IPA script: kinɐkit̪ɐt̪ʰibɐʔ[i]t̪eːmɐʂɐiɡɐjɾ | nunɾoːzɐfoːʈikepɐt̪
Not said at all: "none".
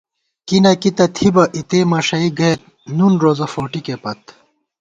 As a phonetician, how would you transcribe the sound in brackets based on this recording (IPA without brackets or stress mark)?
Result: i